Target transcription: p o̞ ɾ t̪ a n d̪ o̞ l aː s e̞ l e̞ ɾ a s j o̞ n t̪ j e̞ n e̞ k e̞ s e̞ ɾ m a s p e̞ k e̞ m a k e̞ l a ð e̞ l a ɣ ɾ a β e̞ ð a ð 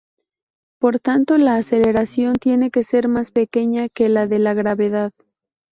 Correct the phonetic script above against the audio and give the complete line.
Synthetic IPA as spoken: p o̞ ɾ t̪ a n t̪ o̞ l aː s e̞ l e̞ ɾ a s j o̞ n t̪ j e̞ n e̞ k e̞ s e̞ ɾ m a s p e̞ k e̞ ɲ a k e̞ l a ð e̞ l a ɣ ɾ a β e̞ ð a ð